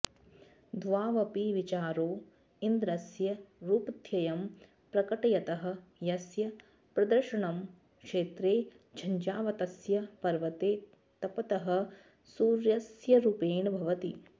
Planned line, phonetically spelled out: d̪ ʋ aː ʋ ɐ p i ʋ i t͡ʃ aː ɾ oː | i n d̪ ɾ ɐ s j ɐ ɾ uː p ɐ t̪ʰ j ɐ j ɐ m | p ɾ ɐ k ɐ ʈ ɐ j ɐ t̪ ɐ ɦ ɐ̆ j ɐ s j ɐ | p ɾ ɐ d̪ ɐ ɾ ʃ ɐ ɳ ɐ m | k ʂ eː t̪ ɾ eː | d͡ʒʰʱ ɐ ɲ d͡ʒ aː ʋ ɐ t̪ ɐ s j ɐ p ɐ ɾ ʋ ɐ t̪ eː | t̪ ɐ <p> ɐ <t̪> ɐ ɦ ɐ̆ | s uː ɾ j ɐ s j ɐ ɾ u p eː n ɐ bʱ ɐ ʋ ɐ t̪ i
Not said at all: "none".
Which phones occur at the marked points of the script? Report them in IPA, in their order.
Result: p, t̪

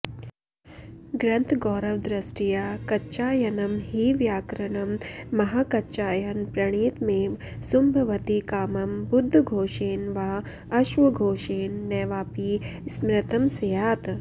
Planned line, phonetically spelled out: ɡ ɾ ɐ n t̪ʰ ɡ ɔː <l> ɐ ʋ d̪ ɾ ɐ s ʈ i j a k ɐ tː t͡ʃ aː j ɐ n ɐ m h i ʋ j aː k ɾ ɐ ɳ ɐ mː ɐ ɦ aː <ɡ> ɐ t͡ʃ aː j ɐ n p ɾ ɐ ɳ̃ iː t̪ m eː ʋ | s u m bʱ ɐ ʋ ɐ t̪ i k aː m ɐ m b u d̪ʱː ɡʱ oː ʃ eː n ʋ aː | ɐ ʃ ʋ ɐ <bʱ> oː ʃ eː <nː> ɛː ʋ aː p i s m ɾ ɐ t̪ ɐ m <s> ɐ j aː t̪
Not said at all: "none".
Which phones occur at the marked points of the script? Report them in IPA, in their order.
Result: ɾ, k, ɡʱ, nː, s

